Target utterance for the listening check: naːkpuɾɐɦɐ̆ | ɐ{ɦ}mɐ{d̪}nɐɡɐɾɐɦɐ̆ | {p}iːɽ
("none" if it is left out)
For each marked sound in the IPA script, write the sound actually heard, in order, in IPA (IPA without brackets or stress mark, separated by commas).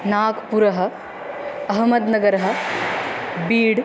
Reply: ɦ, d̪, b